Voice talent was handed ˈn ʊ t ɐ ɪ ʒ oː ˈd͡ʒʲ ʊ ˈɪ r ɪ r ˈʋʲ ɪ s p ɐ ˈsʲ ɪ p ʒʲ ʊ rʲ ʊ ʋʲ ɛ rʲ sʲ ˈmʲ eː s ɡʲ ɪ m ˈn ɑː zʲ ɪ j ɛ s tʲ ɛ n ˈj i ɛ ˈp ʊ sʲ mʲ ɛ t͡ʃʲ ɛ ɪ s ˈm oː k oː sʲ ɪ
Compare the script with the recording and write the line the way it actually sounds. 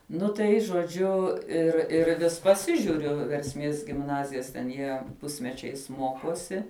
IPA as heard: ˈn ʊ t ɐ ɪ ʒ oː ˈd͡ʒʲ ʊ ˈɪ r ɪ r ˈʋʲ ɪ s p ɐ ˈsʲ ɪ ʒʲ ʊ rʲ ʊ ʋʲ ɛ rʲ sʲ ˈmʲ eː s ɡʲ ɪ m ˈn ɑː zʲ ɪ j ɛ s tʲ ɛ n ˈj i ɛ ˈp ʊ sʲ mʲ ɛ t͡ʃʲ ɛ ɪ s ˈm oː k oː sʲ ɪ